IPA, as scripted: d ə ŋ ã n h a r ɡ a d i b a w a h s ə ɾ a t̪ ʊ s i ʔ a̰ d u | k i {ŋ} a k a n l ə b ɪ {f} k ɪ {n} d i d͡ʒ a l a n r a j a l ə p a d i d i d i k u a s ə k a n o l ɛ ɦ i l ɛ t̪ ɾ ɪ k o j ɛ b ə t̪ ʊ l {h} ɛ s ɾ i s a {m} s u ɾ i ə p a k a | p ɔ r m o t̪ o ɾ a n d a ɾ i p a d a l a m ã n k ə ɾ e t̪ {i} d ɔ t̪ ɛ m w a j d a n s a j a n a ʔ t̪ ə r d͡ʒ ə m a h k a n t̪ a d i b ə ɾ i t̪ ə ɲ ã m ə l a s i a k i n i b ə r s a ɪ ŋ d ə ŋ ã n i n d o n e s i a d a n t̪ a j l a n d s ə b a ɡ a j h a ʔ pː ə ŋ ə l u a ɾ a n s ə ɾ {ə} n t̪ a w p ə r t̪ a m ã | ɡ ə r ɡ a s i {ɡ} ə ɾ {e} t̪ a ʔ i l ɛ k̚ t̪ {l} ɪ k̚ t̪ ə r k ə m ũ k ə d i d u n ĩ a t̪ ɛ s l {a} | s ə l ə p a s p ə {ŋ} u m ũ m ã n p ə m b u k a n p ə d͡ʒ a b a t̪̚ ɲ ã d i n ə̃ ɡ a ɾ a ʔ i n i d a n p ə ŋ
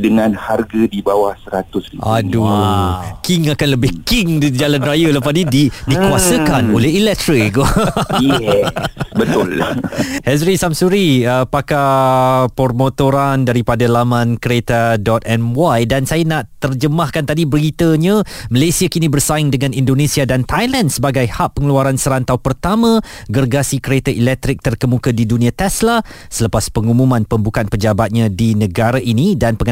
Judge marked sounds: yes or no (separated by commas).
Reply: yes, no, no, yes, yes, no, no, no, yes, no, yes, yes